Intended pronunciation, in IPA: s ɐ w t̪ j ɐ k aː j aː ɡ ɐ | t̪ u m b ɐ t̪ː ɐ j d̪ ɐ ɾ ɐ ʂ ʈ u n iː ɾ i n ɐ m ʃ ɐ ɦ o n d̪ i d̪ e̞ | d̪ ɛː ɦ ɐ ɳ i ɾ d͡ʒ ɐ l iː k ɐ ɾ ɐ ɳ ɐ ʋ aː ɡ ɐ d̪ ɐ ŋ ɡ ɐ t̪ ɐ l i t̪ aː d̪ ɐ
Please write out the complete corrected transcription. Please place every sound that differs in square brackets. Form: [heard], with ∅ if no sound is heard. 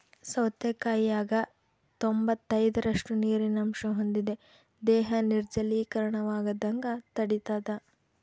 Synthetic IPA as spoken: s ɐ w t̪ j ɐ k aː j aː ɡ ɐ | t̪ [o] m b ɐ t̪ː ɐ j d̪ ɐ ɾ ɐ ʂ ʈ u n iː ɾ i n ɐ m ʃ ɐ ɦ o n d̪ i d̪ e̞ | d̪ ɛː ɦ ɐ [n] i ɾ d͡ʒ ɐ l iː k ɐ ɾ ɐ ɳ ɐ ʋ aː ɡ ɐ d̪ ɐ ŋ ɡ ɐ t̪ ɐ [ɽ] i t̪ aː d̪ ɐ